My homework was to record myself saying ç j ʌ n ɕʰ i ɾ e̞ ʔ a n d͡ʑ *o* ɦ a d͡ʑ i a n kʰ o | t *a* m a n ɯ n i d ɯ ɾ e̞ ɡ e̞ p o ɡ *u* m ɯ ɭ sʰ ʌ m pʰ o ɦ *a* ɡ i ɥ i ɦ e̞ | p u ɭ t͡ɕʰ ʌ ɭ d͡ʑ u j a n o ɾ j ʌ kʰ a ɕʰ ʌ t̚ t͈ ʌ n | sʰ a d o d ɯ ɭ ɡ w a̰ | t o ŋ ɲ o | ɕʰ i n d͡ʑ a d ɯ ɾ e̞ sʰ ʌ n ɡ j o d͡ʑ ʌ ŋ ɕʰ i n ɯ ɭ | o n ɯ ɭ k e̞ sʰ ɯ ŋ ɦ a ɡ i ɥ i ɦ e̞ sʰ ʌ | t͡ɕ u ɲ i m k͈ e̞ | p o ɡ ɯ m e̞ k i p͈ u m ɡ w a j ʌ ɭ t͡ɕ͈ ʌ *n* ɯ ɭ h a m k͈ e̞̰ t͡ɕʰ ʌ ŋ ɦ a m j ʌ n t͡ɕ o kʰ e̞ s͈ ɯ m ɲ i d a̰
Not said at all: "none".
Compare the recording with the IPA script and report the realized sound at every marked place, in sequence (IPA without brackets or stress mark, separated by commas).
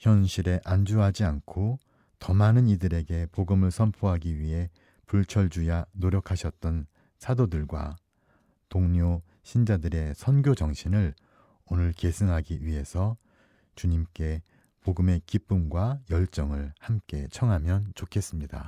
u, ʌ, ɯ, a, ŋ